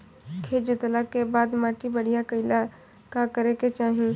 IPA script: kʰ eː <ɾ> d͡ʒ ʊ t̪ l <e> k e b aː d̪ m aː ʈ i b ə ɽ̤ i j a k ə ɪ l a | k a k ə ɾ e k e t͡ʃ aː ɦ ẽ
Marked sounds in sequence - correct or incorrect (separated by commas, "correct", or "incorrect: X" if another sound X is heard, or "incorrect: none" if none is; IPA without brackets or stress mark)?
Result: incorrect: none, incorrect: a